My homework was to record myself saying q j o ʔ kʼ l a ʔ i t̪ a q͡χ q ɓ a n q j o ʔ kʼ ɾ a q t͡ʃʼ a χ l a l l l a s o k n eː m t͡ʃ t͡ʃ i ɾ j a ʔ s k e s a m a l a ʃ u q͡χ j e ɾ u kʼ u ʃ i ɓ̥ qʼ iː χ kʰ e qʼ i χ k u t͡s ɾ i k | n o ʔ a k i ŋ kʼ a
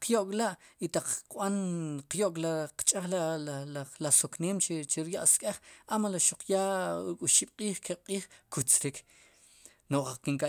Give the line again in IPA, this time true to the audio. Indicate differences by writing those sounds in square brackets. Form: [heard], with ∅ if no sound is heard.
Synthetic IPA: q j o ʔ kʼ l a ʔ i t̪ a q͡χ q ɓ a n q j o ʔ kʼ [l] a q t͡ʃʼ a χ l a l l l a s o k n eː m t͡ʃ t͡ʃ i ɾ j a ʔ s [kʼ] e [χ] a m a l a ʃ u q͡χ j [a] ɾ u kʼ u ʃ i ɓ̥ qʼ iː χ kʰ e qʼ [iː] χ k u t͡s ɾ i k | n o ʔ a k i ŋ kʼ a